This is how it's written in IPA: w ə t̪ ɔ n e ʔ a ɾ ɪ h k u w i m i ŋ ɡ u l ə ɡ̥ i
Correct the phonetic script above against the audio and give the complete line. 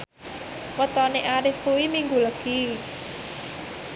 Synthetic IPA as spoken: w ə t̪ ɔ n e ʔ a ɾ ɪ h k u w i m i ŋ ɡ u l ə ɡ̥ i